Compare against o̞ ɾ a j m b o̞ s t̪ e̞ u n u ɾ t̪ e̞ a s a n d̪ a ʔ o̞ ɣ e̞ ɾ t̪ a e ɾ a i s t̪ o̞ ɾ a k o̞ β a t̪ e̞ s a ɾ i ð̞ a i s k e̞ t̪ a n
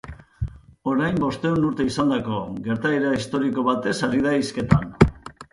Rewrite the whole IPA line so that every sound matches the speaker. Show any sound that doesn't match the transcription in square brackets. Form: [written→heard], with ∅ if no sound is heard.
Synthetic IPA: o̞ ɾ a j m b o̞ s t̪ e̞ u n u ɾ t̪ e̞ [a→i] s a n d̪ a [ʔ→k] o̞ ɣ e̞ ɾ t̪ a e ɾ a i s t̪ o̞ ɾ [a→i] k o̞ β a t̪ e̞ s a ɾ i ð̞ a i s k e̞ t̪ a n

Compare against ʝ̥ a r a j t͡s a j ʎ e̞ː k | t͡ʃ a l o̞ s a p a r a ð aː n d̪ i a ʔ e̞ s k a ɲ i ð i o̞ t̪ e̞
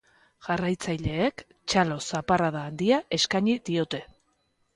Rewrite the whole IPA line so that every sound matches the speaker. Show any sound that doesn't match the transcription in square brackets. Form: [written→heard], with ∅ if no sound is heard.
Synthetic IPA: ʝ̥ a r a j t͡s a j ʎ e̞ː k | t͡ʃ a l o̞ s a p a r a ð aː n d̪ i a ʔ e̞ s k a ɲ i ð i o̞ t̪ e̞

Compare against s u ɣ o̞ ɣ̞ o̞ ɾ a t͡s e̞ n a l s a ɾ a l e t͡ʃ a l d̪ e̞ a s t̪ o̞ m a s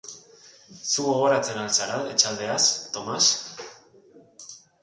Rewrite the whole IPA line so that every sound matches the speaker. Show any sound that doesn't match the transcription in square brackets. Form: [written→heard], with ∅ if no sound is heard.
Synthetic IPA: s u ɣ o̞ ɣ̞ o̞ ɾ a t͡s e̞ n a l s a ɾ a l e t͡ʃ a l d̪ e̞ a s t̪ o̞ m a s

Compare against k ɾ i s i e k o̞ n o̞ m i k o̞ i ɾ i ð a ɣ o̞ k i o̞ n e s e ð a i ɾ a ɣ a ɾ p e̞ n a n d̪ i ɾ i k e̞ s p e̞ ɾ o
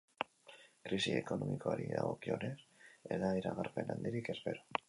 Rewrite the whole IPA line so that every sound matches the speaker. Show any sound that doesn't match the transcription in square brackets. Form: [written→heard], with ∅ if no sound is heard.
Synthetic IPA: k ɾ i s i e k o̞ n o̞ m i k o̞ [i→a] ɾ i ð a ɣ o̞ k i o̞ n e s e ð a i ɾ a ɣ a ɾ p e̞ n a n d̪ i ɾ i k e̞ s p e̞ ɾ o

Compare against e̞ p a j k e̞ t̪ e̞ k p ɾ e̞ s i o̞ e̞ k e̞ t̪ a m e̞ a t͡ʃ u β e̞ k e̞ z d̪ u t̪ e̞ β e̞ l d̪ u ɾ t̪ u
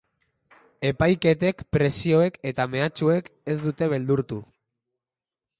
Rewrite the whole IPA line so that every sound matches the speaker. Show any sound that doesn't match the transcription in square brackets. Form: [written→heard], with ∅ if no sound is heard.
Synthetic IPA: e̞ p a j k e̞ t̪ e̞ k p ɾ e̞ s i o̞ e̞ k e̞ t̪ a m e̞ a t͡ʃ u [β→∅] e̞ k e̞ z d̪ u t̪ e̞ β e̞ l d̪ u ɾ t̪ u

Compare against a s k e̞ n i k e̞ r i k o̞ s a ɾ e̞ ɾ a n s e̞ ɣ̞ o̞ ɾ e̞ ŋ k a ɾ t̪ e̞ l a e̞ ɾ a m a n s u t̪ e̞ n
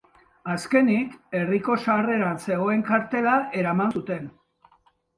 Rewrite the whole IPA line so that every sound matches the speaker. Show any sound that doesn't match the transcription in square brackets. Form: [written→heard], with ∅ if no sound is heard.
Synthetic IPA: a s k e̞ n i k e̞ r i k o̞ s a [ɾ→r] e̞ ɾ a n s e̞ ɣ̞ o̞ [ɾ→∅] e̞ ŋ k a ɾ t̪ e̞ l a e̞ ɾ a m a n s u t̪ e̞ n

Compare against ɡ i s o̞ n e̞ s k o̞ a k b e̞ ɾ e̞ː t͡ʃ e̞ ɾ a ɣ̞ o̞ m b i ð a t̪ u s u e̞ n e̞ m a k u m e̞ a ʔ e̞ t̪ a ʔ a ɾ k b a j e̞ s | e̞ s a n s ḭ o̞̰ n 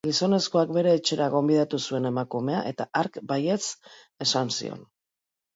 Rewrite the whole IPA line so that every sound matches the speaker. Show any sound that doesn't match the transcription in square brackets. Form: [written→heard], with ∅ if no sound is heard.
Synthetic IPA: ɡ i s o̞ n e̞ s k o̞ a k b e̞ ɾ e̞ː t͡ʃ e̞ ɾ a ɣ̞ o̞ m b i ð a t̪ u s u e̞ n e̞ m a k u m e̞ a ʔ e̞ t̪ a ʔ a ɾ k b a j e̞ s | e̞ s a n s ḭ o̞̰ n

